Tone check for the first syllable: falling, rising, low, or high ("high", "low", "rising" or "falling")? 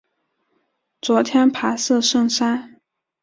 rising